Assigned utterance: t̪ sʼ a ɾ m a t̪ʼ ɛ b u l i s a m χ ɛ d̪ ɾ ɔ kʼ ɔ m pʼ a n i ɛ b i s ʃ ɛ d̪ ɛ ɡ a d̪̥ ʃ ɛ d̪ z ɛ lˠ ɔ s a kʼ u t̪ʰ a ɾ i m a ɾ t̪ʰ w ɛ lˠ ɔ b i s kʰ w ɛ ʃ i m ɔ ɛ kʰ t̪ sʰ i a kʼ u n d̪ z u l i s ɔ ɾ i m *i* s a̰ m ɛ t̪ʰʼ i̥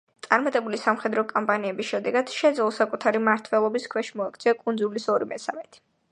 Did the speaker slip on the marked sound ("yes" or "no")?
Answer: yes